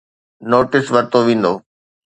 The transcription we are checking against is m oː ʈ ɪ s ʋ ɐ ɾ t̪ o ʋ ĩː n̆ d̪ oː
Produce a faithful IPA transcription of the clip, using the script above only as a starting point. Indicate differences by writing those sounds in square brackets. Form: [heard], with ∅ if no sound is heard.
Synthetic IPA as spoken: [n] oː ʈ ɪ s ʋ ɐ ɾ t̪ o ʋ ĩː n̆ d̪ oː